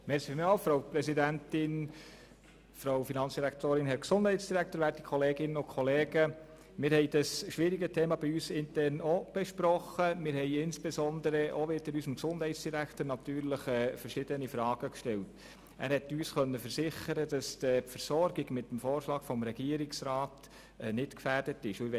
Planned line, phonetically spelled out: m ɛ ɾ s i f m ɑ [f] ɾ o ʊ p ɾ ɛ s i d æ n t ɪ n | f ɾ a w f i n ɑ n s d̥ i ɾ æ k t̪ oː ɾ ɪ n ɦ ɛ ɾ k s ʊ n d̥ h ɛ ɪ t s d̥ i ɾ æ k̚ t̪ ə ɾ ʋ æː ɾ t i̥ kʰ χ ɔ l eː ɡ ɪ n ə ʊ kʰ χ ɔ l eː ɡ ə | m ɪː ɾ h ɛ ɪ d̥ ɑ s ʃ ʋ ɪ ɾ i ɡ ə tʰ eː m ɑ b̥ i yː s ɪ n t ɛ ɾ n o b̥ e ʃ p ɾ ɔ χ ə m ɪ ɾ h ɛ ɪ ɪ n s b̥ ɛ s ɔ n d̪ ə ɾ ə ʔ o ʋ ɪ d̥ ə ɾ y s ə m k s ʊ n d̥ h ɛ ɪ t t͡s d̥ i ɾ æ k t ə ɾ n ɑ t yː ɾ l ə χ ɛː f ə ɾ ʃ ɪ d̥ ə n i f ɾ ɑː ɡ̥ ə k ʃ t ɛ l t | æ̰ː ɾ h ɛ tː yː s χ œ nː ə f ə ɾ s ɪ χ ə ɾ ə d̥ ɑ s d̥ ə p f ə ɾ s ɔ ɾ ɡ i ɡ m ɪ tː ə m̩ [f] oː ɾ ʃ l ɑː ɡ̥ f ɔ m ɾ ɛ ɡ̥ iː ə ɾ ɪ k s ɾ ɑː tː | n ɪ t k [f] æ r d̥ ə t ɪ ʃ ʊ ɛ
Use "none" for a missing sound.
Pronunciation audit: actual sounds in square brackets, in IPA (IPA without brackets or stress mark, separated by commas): f, f, f